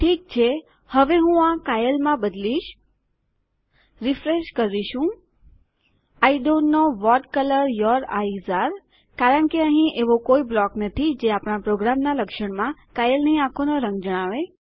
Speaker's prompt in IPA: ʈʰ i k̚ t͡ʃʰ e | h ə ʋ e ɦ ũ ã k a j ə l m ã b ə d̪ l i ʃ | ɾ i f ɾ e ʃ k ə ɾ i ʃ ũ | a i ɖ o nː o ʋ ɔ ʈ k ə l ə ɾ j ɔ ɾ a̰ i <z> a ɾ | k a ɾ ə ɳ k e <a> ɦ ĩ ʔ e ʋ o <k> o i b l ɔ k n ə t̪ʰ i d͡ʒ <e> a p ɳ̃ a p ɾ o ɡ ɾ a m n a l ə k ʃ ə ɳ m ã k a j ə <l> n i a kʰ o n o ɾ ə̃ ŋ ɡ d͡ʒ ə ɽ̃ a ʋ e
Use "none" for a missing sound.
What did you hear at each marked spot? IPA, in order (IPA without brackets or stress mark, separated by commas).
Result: z, ə, k, e, l